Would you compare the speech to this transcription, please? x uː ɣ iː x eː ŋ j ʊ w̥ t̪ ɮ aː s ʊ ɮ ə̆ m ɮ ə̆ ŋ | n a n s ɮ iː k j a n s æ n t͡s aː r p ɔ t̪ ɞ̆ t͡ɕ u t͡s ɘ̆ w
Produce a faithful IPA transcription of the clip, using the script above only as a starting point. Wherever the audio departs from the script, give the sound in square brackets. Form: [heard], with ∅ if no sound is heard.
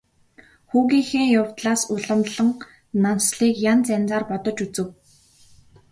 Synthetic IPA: x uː ɣ iː x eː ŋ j ʊ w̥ t̪ ɮ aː s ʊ ɮ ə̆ m ɮ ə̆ ŋ | n a n s ɮ iː k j a n [t͡s] æ n t͡s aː r p ɔ t̪ ɞ̆ t͡ɕ u t͡s ɘ̆ w